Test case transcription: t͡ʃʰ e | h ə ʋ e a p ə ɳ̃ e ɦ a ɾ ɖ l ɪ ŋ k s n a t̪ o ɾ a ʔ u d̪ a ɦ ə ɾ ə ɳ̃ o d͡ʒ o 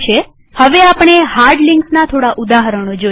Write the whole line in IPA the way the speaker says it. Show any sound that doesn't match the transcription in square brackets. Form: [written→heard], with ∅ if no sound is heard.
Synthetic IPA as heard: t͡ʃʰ e | h ə ʋ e a p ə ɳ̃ e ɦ a ɾ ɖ l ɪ ŋ k s n a [t̪→t̪ʰ] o [ɾ→ɽ] a ʔ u d̪ a ɦ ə ɾ ə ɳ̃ o d͡ʒ o